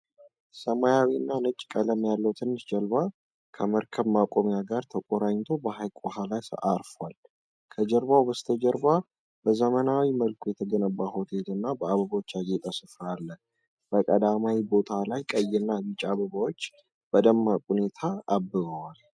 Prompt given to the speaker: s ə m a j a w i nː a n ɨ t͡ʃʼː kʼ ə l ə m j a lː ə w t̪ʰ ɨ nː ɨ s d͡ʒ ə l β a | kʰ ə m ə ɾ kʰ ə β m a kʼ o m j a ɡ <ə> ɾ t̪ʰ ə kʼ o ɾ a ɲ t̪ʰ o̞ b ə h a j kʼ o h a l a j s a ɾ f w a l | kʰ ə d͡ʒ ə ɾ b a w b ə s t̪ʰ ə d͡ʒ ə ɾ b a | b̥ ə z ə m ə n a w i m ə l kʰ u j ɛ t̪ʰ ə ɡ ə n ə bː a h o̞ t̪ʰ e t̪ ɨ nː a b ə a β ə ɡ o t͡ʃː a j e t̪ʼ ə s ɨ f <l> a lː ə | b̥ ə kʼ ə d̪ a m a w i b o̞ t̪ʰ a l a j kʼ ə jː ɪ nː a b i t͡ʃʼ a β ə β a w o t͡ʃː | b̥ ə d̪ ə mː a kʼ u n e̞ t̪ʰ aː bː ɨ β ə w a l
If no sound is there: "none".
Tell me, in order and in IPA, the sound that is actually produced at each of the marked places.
a, ɾ

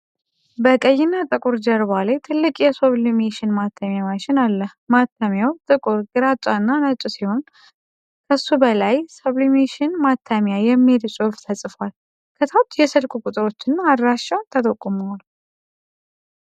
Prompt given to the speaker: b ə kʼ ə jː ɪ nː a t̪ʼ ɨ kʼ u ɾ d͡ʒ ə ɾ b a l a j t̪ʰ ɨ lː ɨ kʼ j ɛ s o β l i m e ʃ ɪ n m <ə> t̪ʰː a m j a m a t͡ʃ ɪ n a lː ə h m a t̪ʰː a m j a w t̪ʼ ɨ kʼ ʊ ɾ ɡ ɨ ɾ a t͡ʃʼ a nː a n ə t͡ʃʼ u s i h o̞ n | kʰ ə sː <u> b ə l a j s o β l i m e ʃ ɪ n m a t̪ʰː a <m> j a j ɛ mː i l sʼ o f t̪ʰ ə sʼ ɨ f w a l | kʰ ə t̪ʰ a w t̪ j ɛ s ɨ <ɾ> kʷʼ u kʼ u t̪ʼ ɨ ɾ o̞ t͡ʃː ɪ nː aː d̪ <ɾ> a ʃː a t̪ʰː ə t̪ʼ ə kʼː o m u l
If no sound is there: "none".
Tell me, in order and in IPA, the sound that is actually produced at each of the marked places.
a, u, m, l, ɾ

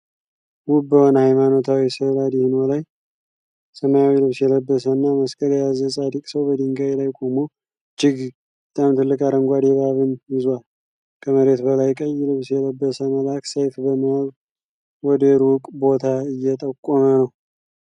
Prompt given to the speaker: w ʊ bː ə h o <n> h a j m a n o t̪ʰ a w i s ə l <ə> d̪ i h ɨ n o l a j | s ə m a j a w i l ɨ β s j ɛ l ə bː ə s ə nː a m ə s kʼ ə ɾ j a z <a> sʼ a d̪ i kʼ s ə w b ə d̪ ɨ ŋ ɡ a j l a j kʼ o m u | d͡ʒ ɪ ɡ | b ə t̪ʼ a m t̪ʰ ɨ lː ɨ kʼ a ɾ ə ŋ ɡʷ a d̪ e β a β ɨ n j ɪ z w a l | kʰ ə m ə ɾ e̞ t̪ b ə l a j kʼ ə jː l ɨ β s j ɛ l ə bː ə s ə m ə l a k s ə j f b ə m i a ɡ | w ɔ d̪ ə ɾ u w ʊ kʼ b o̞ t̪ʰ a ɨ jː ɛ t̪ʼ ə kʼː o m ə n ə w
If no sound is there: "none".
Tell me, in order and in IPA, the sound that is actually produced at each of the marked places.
n, a, ə

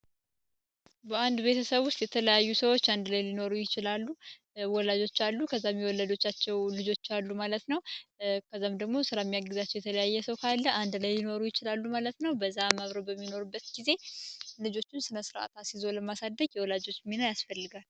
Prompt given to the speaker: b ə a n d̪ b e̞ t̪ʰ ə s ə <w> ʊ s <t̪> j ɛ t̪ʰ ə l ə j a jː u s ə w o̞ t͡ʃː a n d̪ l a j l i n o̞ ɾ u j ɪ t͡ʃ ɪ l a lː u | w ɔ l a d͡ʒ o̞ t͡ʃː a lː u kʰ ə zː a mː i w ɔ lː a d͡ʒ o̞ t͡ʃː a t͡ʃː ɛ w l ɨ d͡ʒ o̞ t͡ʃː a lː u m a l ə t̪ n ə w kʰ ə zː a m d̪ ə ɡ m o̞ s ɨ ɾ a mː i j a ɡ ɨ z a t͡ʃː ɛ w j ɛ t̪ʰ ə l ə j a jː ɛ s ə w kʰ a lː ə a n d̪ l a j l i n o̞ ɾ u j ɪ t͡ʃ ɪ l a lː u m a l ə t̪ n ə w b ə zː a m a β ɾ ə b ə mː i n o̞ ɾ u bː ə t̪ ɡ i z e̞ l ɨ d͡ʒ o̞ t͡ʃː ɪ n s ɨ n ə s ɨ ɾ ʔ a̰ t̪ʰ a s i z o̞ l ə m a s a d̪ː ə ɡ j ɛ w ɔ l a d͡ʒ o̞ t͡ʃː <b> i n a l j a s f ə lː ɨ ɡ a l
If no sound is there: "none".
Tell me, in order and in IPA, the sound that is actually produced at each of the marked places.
β, t̪, m

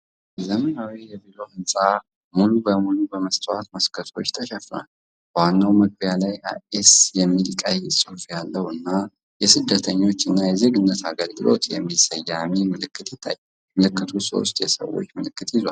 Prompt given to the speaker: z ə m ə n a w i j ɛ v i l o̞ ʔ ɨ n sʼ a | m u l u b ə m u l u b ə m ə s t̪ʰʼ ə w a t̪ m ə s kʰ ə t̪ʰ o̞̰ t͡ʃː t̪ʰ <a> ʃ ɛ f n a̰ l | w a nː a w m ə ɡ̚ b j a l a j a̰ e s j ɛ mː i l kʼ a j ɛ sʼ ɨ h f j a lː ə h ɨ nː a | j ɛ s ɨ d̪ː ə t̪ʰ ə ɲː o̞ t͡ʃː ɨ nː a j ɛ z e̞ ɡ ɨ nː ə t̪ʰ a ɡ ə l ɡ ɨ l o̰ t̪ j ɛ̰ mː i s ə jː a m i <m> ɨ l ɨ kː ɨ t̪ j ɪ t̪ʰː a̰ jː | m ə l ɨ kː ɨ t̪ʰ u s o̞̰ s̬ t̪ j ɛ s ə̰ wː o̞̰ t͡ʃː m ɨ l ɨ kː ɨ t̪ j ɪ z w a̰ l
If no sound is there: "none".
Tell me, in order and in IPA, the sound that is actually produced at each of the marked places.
ə, m

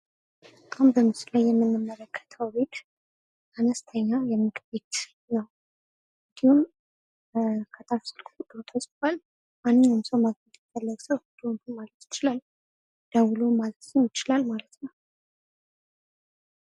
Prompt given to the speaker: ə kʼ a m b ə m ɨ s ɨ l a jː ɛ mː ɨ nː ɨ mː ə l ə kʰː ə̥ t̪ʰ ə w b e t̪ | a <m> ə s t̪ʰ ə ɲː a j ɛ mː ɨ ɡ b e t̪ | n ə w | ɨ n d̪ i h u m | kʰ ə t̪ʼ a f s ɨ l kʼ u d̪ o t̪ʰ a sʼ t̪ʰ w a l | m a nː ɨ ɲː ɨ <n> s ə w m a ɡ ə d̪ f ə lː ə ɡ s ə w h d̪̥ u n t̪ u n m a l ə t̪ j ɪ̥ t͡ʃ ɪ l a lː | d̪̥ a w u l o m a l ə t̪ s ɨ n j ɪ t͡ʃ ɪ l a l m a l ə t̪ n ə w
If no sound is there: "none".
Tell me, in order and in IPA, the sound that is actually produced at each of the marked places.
n, m

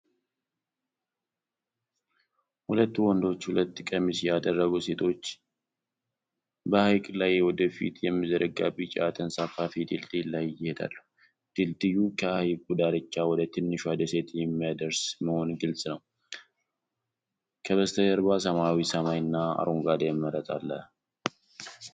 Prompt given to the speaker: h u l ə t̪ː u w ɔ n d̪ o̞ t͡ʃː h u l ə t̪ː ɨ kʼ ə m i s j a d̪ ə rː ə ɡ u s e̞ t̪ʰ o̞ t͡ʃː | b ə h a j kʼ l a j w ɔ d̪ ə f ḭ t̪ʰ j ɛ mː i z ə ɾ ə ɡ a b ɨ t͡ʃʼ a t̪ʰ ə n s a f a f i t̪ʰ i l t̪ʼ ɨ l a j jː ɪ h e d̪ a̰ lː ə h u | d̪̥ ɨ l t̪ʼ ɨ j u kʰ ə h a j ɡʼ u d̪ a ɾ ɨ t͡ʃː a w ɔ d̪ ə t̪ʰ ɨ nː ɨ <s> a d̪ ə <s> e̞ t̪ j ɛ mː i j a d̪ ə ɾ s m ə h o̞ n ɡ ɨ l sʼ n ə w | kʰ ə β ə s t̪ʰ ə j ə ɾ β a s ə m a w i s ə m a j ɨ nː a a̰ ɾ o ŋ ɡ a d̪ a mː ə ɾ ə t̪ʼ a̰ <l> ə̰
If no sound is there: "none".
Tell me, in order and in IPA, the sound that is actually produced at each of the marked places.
ʃ, s, lː

